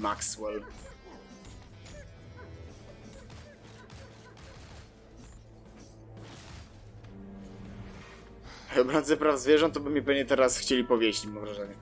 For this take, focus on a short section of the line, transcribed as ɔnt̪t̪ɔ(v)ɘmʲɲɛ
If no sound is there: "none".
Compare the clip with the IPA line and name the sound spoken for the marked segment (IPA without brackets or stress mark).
b